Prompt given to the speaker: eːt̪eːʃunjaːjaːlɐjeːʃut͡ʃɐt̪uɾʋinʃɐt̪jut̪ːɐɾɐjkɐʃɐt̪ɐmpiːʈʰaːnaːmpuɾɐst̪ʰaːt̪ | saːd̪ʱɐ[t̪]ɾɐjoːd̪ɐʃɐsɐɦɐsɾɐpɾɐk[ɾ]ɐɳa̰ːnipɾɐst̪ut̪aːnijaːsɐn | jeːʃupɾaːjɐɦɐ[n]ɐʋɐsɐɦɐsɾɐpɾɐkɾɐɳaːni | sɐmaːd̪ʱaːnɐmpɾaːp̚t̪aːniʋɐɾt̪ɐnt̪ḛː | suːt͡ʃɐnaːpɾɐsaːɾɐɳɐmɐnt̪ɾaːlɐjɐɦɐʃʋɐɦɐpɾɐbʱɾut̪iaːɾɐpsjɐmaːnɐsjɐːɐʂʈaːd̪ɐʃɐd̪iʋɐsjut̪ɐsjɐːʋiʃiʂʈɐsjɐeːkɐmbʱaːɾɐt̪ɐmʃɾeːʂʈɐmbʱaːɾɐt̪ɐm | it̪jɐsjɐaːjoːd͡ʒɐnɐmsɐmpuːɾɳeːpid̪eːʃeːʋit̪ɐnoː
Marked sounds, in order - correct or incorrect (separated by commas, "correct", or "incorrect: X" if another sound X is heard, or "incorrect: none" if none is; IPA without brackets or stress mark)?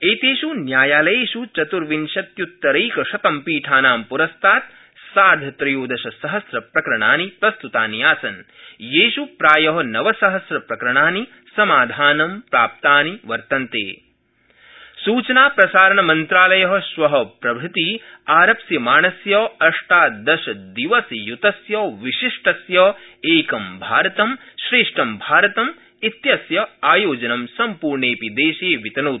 correct, correct, correct